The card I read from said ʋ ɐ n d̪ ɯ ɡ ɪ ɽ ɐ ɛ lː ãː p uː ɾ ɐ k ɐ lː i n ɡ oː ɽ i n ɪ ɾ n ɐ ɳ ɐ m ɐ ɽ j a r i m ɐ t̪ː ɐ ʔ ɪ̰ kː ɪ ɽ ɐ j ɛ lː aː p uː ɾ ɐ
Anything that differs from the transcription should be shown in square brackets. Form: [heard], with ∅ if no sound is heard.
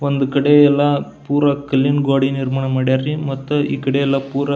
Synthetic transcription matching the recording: ʋ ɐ n d̪ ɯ [k] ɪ ɽ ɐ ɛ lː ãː p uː ɾ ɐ k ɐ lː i n ɡ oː ɽ i n ɪ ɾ [m] ɐ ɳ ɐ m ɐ ɽ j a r i m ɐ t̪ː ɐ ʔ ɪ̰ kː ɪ ɽ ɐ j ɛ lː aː p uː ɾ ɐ